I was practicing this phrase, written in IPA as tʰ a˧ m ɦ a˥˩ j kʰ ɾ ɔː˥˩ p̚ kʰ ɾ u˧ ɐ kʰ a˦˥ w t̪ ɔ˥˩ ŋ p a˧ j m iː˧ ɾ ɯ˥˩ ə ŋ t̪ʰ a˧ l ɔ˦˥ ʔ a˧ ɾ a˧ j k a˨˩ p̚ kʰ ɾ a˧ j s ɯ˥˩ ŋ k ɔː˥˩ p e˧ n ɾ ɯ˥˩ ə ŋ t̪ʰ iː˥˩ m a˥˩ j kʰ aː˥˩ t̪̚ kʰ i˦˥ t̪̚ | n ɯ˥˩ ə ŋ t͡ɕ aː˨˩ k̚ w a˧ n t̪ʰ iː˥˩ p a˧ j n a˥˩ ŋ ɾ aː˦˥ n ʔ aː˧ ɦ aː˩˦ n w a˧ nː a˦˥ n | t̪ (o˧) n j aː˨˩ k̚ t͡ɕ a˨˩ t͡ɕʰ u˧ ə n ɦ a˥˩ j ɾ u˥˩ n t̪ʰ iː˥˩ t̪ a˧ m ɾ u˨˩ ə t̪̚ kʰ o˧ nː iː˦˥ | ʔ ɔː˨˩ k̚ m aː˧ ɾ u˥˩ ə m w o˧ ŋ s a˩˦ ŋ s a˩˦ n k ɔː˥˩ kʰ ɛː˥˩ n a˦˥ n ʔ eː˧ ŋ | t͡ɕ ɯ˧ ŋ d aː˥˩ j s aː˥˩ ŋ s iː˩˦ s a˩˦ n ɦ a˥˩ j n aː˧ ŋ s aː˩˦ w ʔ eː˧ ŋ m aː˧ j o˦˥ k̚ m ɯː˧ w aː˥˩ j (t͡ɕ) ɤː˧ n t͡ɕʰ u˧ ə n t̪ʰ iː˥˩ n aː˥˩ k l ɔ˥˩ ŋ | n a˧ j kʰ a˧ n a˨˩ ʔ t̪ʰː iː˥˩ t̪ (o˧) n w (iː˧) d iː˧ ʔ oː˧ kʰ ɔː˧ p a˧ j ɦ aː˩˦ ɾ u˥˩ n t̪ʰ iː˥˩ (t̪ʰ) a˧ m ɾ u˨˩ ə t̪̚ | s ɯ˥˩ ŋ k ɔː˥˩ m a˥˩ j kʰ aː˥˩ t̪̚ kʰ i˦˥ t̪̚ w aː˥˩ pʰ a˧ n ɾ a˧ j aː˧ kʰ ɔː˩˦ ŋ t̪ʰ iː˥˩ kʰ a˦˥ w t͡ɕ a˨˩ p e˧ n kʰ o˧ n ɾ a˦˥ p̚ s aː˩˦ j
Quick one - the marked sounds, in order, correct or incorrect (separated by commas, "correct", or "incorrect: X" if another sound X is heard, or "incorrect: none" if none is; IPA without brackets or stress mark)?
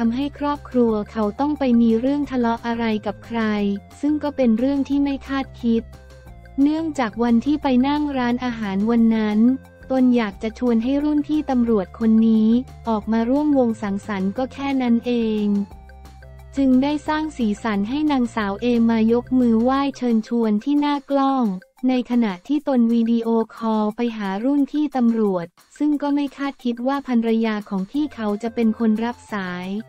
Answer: correct, incorrect: t͡ɕʰ, correct, correct, incorrect: t̪